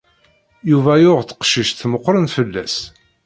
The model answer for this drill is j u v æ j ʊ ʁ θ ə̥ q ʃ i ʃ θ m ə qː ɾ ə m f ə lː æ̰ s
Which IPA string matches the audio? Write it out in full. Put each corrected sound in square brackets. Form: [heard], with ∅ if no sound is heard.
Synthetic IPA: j u v æ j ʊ ʁ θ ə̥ q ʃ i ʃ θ m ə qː ɾ ə [n] f ə lː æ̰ s